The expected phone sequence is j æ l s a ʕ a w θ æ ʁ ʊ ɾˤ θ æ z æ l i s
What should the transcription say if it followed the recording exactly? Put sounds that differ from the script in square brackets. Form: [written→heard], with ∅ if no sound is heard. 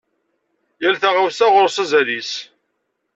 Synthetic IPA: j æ l [s→θ] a [ʕ→ʁ] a w [θ→s] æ ʁ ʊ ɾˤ [θ→s] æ z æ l i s

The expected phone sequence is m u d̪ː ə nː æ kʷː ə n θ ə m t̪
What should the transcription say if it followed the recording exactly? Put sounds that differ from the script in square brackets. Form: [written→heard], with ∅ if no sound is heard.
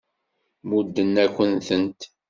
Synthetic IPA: m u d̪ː ə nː æ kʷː ə n θ ə [m→n] t̪

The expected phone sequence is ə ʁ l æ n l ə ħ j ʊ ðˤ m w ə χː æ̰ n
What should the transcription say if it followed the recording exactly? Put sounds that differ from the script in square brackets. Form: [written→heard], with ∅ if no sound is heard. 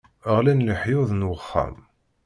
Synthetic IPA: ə ʁ l æ n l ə ħ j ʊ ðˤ [m→n] w ə χː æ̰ [n→m]

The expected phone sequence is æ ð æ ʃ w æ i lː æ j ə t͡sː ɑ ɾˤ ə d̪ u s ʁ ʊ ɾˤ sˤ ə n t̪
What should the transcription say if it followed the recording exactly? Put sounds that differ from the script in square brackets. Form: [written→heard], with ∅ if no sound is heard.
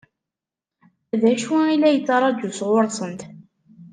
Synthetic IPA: æ ð æ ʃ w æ i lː æ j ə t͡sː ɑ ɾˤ [ə→ɑ] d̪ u s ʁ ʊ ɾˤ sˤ ə n t̪

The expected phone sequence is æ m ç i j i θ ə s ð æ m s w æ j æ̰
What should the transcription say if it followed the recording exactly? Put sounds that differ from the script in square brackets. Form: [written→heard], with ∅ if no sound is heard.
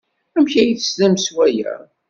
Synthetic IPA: æ m ç [i→æ] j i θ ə s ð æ m s w æ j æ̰

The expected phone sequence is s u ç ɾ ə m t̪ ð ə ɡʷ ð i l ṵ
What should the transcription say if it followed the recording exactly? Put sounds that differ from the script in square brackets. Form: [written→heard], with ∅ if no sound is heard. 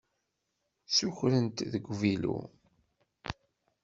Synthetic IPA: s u ç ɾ ə [m→n] t̪ ð ə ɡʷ [ð→v] i l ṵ

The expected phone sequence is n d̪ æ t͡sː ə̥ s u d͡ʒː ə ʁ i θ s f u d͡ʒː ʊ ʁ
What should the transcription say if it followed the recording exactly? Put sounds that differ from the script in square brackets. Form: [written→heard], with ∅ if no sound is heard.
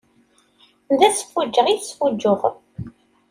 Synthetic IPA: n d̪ æ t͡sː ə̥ [s→f] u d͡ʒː ə ʁ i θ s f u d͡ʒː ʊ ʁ

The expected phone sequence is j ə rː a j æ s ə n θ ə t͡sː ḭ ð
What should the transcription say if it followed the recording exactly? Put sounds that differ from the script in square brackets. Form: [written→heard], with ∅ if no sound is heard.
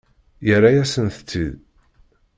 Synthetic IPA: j ə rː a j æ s ə n θ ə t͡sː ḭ ð

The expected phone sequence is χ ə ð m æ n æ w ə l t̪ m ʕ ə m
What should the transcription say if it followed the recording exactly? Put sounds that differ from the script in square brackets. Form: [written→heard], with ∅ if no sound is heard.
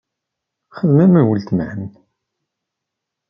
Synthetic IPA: χ ə ð m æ [n→m] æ w ə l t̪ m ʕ ə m

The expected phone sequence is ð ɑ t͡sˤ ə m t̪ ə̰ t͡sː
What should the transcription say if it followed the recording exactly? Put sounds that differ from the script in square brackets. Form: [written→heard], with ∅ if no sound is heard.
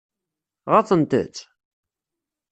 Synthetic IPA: [ð→ʁ] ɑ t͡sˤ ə [m→n] t̪ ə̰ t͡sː

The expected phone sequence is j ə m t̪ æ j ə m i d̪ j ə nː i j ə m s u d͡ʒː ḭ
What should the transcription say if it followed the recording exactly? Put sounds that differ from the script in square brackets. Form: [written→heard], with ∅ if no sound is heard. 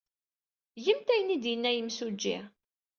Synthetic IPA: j ə m t̪ æ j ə [m→n] i d̪ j ə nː [i→æ] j ə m s u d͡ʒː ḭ

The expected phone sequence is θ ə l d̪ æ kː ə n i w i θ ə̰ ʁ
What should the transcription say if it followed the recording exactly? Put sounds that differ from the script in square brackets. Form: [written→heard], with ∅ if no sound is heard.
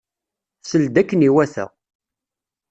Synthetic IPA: [θ→s] ə l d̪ æ kː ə n i w [i→æ] θ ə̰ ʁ

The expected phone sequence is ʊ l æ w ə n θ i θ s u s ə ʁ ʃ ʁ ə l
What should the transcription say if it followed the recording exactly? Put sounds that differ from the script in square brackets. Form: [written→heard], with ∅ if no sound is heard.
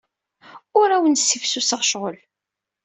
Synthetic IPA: ʊ [l→ɾ] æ w ə n [θ→s] i [θ→f] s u s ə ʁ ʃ ʁ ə l

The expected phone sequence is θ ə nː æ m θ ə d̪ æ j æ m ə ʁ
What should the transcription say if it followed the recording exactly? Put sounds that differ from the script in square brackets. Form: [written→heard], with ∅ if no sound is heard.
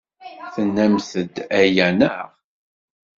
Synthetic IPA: θ ə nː æ m θ ə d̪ æ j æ [m→n] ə ʁ

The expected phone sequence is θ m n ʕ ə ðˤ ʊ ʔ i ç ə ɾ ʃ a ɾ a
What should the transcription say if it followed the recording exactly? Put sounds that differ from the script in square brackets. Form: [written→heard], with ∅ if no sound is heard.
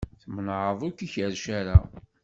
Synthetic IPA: θ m n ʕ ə ðˤ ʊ [ʔ→k] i ç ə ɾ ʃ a ɾ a

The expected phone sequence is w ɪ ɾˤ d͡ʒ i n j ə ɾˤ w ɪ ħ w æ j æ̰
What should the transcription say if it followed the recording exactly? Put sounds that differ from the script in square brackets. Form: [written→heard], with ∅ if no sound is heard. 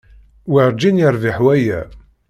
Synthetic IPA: w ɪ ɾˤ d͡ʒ i n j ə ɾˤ [w→v] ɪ ħ w æ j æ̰

